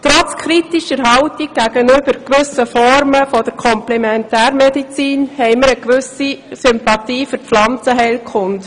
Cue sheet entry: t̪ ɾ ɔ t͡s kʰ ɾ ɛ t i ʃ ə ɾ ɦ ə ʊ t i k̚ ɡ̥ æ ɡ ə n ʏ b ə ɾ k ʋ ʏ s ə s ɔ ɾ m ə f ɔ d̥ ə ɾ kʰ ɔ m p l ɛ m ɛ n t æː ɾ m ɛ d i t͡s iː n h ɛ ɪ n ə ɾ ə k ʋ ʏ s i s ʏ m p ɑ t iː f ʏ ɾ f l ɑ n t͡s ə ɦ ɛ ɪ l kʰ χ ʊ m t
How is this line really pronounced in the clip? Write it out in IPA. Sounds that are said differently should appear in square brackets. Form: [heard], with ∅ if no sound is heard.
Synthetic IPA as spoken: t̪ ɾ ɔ t͡s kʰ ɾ [i] t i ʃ ə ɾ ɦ [ɑ] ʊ t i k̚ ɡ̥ æ ɡ ə n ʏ b ə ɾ k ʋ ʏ s ə [f] ɔ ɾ m ə f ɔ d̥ ə ɾ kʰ ɔ m p l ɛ m ɛ n t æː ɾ m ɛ d i t͡s iː n h ɛ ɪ [m] ə ɾ ə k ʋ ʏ s i s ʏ m p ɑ t iː f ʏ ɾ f l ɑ n t͡s ə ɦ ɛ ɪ l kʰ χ ʊ [n] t